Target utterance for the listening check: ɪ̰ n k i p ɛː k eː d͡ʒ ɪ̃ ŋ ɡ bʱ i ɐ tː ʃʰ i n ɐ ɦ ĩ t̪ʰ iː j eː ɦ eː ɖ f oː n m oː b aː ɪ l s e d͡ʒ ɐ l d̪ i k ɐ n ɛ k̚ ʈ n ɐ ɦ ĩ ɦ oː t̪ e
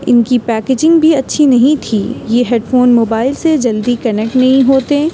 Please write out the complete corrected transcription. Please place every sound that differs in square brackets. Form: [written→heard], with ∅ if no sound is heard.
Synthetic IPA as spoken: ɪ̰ n k i p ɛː k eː d͡ʒ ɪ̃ ŋ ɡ bʱ i ɐ tː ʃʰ i n ɐ ɦ ĩ t̪ʰ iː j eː ɦ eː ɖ f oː n m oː b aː ɪ l s e d͡ʒ ɐ l d̪ i k ɐ n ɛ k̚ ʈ n ɐ ɦ ĩ ɦ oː t̪ e